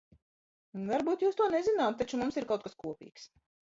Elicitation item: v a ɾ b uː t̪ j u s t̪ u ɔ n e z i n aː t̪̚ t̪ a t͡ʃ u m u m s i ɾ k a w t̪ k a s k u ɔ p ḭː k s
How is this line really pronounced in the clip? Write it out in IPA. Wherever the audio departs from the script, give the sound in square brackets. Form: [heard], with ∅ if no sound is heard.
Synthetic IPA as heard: v a ɾ b uː t̪ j [uː] s t̪ u ɔ n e z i n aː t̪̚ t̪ a t͡ʃ u m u m s i ɾ k a w t̪ k a s k u ɔ p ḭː k s